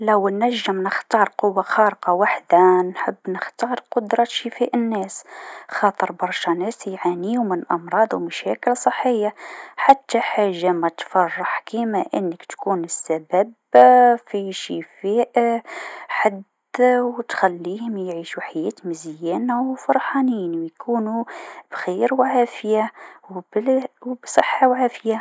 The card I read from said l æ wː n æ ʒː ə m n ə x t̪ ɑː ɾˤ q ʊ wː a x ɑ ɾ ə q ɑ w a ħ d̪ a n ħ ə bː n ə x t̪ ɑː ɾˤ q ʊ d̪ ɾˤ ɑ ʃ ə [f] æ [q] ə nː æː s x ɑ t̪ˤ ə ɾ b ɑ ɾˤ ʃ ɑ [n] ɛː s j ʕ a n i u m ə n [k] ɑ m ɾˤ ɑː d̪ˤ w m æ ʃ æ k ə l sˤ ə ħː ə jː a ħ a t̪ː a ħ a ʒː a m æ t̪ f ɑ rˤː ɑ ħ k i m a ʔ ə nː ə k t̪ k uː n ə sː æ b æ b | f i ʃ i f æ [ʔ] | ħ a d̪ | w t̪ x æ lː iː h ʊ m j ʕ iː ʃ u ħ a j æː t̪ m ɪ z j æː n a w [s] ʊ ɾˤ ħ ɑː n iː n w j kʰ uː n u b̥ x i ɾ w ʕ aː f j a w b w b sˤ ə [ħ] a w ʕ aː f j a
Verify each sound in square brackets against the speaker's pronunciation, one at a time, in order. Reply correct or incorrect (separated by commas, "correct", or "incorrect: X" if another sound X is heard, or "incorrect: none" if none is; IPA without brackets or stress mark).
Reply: correct, incorrect: ʔ, correct, incorrect: ʔ, correct, incorrect: f, incorrect: ħː